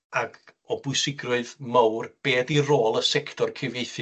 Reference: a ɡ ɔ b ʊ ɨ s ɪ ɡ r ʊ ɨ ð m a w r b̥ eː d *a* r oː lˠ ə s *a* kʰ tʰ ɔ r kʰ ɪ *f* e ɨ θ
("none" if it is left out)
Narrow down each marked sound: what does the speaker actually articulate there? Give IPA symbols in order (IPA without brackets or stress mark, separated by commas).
i, ɛ, v